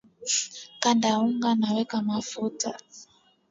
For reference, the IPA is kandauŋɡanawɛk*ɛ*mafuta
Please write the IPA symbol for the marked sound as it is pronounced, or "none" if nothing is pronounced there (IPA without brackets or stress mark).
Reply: a